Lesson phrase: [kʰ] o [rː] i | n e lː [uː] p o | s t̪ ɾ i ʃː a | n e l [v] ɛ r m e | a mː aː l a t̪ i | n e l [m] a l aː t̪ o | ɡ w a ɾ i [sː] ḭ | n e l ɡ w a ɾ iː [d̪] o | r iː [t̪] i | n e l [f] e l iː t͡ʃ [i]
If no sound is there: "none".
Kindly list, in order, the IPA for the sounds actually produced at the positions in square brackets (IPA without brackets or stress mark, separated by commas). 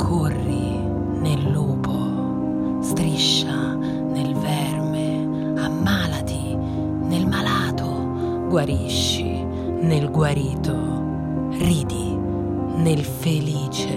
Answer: kʰ, rː, uː, v, m, ʃː, t̪, d̪, f, e